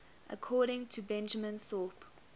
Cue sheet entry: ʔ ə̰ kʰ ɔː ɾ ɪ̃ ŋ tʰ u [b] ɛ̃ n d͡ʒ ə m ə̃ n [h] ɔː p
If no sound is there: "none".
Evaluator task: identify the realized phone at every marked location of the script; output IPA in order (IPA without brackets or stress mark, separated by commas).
b, θ